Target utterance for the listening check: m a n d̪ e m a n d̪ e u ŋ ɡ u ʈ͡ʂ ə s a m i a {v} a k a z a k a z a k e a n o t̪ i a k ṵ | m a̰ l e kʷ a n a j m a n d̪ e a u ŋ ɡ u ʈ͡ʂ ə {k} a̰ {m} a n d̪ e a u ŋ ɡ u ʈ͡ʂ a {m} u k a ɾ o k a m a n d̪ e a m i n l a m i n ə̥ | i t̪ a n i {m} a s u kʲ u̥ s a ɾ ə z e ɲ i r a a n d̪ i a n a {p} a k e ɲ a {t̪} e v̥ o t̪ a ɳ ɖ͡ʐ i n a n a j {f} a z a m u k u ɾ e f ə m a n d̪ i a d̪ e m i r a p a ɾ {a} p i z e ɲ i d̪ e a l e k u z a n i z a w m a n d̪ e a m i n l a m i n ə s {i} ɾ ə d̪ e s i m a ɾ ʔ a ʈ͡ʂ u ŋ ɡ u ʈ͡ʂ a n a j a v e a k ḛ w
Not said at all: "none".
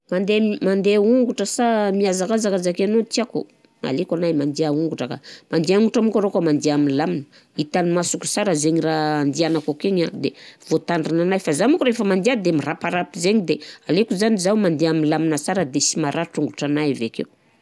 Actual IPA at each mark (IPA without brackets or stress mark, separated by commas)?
z, k, m, m, m, k, d̪, f, a, a